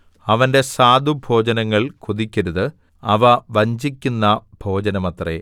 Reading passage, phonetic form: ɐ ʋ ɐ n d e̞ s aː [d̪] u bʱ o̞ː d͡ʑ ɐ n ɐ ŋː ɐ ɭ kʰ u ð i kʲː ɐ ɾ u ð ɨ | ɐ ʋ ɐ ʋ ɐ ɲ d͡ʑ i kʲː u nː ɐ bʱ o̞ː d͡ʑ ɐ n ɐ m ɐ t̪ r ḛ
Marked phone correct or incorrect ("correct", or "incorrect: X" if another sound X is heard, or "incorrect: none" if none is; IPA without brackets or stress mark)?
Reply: correct